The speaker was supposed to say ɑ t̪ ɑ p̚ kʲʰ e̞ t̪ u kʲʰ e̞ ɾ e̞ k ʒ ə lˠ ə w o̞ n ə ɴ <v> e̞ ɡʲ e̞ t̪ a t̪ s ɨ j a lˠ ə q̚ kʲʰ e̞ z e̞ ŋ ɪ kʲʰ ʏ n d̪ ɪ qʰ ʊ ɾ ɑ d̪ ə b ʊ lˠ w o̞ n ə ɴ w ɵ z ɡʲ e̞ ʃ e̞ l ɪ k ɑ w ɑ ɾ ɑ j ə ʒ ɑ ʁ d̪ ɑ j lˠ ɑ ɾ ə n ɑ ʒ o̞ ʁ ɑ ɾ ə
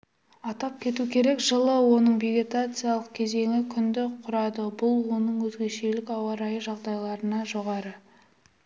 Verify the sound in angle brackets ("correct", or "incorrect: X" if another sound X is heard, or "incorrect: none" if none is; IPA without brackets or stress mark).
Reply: correct